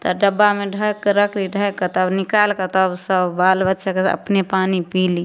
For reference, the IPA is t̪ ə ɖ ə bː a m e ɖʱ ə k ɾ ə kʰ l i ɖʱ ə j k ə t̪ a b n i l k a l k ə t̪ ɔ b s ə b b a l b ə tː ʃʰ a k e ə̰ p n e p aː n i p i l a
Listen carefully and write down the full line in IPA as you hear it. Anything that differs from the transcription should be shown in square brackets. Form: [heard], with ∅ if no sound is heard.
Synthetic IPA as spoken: t̪ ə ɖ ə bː a m e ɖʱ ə k ɾ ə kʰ l i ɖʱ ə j k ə t̪ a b n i [∅] k a l k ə t̪ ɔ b s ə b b a l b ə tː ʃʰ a k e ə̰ p n e p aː n i p i l [i]